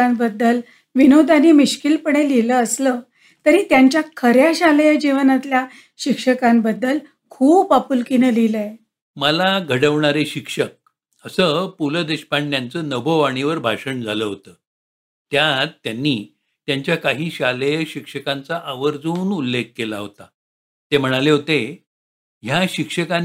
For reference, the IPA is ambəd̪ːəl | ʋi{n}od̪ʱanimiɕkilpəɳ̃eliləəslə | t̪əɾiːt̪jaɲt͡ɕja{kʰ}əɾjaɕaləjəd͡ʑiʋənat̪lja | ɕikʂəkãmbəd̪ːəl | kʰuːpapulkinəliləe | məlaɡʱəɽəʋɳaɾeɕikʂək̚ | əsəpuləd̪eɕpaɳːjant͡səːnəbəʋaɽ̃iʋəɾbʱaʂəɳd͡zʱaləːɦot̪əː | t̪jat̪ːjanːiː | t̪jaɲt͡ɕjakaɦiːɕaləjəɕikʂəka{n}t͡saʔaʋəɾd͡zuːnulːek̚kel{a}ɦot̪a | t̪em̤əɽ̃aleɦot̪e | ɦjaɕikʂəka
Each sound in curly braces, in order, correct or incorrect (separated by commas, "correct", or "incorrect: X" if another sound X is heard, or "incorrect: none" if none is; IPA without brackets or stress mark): correct, correct, correct, correct